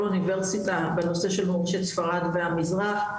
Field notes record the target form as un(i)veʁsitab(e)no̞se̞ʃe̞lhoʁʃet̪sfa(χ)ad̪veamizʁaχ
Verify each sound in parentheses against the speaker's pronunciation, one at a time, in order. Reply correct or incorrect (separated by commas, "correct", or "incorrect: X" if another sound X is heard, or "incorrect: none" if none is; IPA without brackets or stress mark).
correct, correct, incorrect: ʁ